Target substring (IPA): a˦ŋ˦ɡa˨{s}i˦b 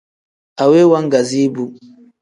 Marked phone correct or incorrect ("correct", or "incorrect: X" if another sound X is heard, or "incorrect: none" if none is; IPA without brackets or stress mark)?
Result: incorrect: z